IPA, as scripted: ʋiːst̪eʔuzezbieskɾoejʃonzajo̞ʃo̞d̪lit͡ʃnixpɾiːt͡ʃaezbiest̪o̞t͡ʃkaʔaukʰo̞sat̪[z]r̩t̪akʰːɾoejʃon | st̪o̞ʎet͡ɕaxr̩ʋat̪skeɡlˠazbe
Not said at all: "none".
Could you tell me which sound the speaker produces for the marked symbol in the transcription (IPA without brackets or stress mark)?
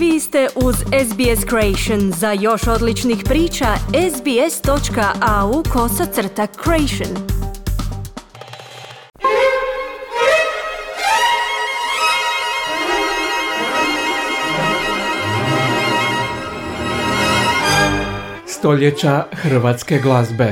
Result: s